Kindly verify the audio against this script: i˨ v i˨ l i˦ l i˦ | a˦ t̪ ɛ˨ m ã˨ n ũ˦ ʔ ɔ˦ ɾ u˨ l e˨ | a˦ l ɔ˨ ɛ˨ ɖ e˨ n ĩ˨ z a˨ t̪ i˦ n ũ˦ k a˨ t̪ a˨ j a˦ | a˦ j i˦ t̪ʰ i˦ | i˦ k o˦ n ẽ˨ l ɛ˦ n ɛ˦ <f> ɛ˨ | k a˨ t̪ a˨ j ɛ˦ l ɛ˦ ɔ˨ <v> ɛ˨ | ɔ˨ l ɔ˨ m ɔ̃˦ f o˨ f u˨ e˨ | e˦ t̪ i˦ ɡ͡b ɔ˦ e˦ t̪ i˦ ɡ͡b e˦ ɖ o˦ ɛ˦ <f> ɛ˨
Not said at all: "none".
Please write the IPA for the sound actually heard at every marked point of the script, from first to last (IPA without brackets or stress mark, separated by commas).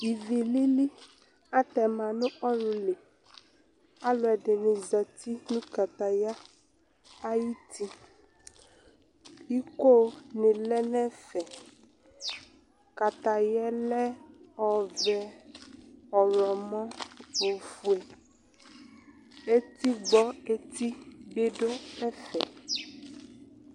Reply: f, v, f